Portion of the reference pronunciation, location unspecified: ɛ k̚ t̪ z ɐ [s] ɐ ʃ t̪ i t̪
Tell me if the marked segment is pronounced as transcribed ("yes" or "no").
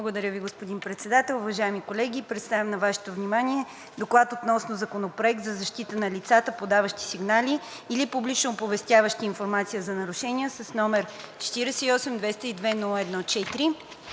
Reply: no